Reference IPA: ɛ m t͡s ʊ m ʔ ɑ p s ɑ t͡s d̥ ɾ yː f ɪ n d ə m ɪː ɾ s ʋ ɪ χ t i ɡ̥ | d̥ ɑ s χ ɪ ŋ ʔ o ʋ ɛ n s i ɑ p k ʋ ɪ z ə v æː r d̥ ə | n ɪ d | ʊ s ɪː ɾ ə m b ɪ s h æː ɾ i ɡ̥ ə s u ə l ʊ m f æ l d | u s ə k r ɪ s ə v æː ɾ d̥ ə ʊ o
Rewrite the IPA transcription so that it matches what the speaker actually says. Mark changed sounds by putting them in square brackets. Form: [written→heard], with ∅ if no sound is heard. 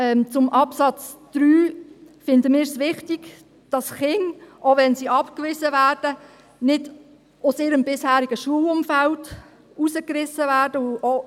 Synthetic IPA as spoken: ɛ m t͡s ʊ m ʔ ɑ p s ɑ t͡s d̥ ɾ yː f ɪ n d ə m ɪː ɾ s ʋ ɪ χ t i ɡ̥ | d̥ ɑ s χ ɪ ŋ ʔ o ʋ ɛ n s i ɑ p k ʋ ɪ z ə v æː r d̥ ə | n ɪ d | ʊ s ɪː ɾ ə m b ɪ s h æː ɾ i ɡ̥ ə [s→ʃ] u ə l ʊ m f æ l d | u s ə k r ɪ s ə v æː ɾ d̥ ə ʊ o

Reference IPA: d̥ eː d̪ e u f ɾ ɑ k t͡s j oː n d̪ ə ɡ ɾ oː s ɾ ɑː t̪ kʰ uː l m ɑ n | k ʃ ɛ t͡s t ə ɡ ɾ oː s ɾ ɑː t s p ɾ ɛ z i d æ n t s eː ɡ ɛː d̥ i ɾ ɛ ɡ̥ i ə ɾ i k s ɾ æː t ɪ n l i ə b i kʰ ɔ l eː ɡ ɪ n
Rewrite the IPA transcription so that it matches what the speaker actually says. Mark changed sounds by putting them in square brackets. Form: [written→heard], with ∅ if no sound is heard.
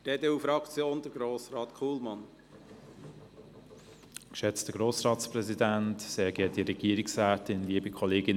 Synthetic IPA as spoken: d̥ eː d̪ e u f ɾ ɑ k t͡s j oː n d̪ ə ɡ ɾ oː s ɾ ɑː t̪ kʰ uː l m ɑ n | k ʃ ɛ t͡s t ə ɡ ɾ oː s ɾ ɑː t s p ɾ ɛ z i d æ n t s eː ɡ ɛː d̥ i ɾ ɛ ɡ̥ i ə ɾ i k s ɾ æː t ɪ n l i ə b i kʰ ɔ l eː ɡ ɪ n

